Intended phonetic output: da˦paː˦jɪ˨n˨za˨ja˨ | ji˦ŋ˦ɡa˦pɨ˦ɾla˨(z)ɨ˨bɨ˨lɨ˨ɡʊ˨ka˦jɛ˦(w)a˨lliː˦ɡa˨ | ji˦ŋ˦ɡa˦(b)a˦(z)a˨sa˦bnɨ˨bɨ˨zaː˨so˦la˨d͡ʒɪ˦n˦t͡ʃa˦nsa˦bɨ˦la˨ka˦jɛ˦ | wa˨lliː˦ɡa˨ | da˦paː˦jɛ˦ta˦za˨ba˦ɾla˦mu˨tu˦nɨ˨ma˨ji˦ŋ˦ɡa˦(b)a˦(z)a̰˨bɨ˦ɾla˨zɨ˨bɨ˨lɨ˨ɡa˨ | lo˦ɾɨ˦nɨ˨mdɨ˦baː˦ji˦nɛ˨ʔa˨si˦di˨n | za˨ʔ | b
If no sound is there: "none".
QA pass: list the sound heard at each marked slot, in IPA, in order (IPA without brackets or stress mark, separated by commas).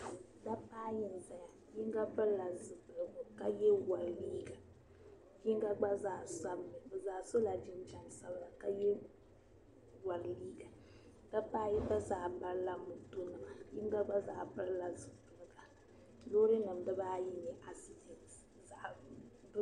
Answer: z, w, ɡ͡b, z, ɡ͡b, z